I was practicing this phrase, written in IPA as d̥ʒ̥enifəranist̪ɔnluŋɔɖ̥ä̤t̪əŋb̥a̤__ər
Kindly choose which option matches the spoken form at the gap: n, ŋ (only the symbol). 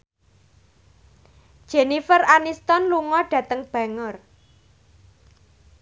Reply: ŋ